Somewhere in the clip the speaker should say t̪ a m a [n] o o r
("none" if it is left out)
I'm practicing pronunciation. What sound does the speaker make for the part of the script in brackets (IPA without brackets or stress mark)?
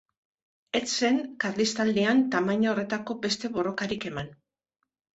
ɲ